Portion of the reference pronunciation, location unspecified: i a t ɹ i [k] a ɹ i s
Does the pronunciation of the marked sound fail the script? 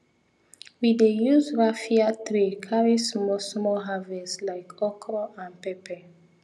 yes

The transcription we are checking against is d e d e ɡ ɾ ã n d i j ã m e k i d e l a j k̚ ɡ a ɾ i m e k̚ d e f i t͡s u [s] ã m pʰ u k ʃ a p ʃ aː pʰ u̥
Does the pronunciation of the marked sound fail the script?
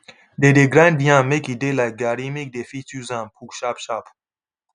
yes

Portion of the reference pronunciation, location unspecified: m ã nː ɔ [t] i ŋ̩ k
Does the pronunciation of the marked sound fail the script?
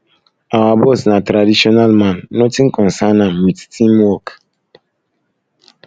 no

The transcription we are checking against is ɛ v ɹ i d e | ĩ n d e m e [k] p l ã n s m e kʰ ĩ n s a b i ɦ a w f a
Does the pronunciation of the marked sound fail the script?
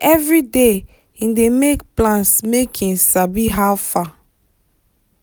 no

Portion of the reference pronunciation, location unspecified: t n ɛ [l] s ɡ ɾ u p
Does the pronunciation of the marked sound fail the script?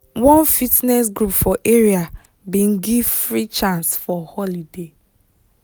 yes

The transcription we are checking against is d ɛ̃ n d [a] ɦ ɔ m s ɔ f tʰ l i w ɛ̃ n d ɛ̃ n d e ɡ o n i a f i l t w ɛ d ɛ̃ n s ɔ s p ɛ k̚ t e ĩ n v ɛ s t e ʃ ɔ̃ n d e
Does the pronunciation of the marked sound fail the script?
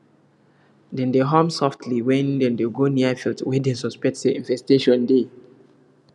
yes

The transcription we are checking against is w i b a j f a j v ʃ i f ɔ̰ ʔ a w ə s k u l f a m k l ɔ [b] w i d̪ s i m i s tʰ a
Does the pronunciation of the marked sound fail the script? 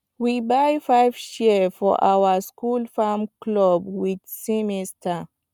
no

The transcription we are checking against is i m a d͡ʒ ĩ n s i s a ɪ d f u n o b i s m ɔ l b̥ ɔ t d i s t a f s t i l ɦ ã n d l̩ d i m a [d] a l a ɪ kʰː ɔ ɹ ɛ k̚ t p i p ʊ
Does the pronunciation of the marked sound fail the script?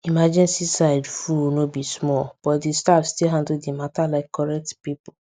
yes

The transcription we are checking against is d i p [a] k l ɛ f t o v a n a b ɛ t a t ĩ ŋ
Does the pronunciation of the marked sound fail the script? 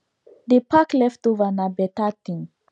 no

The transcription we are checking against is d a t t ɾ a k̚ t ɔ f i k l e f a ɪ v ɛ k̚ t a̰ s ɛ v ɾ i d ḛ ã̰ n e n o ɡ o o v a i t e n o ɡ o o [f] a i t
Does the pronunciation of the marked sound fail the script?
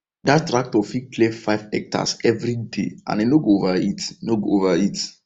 yes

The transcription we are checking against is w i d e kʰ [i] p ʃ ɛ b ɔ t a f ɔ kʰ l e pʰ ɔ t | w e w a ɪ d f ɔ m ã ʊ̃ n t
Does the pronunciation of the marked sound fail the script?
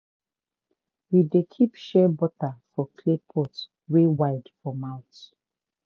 no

